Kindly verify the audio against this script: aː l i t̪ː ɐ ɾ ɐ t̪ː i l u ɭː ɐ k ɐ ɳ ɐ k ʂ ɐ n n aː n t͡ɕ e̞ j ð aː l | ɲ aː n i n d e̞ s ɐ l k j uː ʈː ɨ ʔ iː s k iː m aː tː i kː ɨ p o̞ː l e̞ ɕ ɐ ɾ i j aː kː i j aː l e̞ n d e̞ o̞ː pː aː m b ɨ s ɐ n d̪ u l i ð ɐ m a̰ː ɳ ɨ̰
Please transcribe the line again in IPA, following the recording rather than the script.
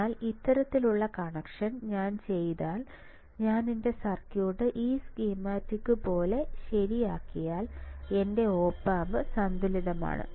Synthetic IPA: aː l i t̪ː ɐ ɾ ɐ t̪ː i l u ɭː ɐ k ɐ ɳ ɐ k ʂ ɐ n ɲ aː n t͡ɕ e̞ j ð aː l | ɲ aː n i n d e̞ s ɐ r k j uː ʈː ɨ ʔ iː s k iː m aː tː i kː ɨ p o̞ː l e̞ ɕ ɐ ɾ i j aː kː i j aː l e̞ n d e̞ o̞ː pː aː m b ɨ s ɐ n d̪ u l i ð ɐ m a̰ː ɳ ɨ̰

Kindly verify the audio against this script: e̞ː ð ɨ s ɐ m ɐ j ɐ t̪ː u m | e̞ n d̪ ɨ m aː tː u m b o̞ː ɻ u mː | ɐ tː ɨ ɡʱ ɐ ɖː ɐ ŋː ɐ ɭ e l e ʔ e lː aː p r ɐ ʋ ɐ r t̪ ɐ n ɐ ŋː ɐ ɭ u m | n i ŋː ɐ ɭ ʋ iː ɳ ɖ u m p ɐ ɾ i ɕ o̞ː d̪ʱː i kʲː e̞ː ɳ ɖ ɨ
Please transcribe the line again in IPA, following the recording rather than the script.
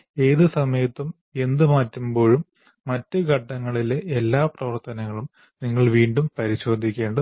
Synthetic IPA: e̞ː ð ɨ s ɐ m ɐ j ɐ t̪ː u m | e̞ n d̪ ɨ m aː tː u m b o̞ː ɻ u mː | ɐ tː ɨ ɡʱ ɐ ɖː ɐ ŋː ɐ ɭ i l e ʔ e lː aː p r ɐ ʋ ɐ r t̪ ɐ n ɐ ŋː ɐ ɭ u m | n i ŋː ɐ ɭ ʋ iː ɳ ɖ u m p ɐ ɾ i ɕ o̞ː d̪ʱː i kʲː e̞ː ɳ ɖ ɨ

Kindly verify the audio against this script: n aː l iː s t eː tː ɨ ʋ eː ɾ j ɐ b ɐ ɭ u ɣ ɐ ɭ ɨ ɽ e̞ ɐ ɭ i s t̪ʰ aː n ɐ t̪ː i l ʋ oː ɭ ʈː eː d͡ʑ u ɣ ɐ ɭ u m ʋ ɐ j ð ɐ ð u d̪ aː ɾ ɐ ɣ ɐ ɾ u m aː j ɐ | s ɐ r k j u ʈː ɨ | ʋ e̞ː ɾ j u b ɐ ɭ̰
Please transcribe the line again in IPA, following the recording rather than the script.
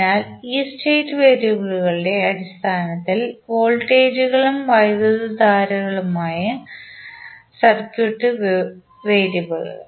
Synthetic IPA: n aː l iː s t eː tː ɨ ʋ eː ɾ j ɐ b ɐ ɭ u ɣ ɐ ɭ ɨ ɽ e̞ ɐ ɽ i s t̪ʰ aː n ɐ t̪ː i l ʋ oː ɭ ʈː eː d͡ʑ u ɣ ɐ ɭ u m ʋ ɐ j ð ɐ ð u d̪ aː ɾ ɐ ɣ ɐ ɭ u m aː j ɐ | s ɐ r k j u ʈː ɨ | ʋ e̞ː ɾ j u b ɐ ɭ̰

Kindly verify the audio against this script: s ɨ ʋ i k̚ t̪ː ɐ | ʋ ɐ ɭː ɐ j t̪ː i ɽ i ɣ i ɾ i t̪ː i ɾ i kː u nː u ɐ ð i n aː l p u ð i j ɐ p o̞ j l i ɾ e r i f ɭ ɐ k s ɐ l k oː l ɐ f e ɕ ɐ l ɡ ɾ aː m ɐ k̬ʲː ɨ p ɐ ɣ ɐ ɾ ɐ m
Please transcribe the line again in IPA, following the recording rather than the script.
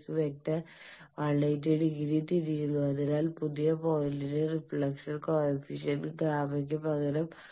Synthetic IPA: s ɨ ʋ e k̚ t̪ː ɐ | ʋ ɐ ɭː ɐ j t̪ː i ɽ i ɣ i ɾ i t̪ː i ɾ i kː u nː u ɐ ð i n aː l p u ð i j ɐ p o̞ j l i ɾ e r i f ɭ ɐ k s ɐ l k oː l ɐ f i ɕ ɐ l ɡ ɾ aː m ɐ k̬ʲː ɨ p ɐ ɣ ɐ ɾ ɐ m

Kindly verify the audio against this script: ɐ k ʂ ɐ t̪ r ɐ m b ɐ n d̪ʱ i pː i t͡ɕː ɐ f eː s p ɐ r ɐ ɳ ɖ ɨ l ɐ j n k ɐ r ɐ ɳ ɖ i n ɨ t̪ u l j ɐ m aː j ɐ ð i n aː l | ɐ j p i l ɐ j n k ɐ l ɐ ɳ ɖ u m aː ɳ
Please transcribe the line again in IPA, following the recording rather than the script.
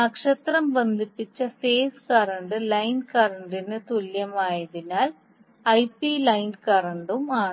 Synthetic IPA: ɐ k ʂ ɐ t̪ r ɐ m b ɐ n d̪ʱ i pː i t͡ɕː ɐ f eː s k ɐ r ɐ ɳ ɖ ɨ l ɐ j n k ɐ r ɐ ɳ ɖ i n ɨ t̪ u l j ɐ m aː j ɐ ð i n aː l | ɐ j p i l ɐ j n k ɐ r ɐ ɳ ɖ u m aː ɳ

